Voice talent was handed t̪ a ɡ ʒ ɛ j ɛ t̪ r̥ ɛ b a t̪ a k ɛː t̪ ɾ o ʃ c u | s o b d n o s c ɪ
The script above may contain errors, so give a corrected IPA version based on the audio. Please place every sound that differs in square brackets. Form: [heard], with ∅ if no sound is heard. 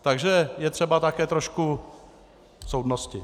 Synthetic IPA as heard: t̪ a ɡ ʒ ɛ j ɛ t̪ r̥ ɛ b a t̪ a k ɛː t̪ ɾ o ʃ [k] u | s o [w] d n o s c ɪ